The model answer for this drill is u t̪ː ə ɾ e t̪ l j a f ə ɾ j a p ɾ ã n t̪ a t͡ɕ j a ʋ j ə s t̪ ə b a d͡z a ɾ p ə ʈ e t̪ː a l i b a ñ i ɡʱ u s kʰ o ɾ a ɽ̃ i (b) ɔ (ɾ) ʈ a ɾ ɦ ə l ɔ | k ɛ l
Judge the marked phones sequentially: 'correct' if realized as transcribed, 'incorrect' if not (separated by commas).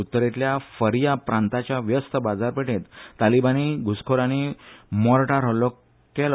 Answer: incorrect, correct